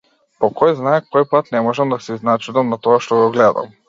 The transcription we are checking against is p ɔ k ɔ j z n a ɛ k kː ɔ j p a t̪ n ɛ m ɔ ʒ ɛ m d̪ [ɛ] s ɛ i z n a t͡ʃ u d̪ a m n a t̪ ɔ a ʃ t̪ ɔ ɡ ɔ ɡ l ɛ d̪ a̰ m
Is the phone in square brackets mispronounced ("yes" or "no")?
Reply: yes